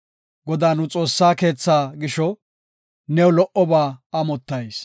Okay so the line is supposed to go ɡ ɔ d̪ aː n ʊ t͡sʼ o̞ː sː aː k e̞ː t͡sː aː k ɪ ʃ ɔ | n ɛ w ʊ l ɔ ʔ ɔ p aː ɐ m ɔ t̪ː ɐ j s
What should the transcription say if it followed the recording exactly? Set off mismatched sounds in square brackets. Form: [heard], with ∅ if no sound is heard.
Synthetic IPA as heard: ɡ ɔ d̪ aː n ʊ t͡sʼ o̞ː sː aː k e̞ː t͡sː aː [ɡ] ɪ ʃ ɔ | n ɛ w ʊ l ɔ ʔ ɔ [b] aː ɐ m ɔ t̪ː ɐ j s